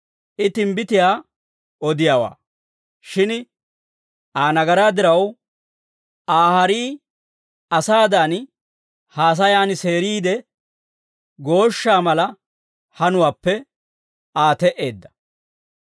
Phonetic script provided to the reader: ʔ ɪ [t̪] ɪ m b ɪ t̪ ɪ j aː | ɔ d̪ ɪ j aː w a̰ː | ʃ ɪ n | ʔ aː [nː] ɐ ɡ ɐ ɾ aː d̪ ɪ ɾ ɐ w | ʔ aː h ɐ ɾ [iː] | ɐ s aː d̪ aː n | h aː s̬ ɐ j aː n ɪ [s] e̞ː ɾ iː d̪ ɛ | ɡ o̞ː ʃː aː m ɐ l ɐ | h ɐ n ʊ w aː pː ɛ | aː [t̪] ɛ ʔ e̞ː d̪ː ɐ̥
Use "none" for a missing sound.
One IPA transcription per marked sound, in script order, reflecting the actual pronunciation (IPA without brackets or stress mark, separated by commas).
t̪, n, iː, s, t̪